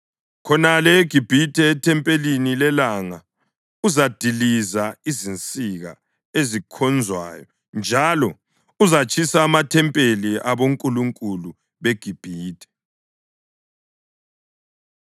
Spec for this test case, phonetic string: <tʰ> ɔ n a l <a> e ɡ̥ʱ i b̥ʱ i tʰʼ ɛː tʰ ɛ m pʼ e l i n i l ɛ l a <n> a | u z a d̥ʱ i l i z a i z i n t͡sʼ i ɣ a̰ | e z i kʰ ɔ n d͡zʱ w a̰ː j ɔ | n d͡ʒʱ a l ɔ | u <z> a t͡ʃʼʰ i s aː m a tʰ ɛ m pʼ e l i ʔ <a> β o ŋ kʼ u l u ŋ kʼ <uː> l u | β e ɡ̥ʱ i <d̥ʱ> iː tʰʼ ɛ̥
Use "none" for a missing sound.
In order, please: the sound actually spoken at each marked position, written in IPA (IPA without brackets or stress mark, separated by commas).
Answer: kʰ, ɛ, ŋ, z, a, u, b̥ʱ